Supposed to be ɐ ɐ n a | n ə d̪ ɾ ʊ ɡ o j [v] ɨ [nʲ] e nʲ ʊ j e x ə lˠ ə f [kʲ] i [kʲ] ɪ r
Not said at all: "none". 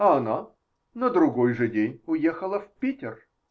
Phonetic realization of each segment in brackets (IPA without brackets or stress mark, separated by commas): ʐ, dʲ, pʲ, tʲ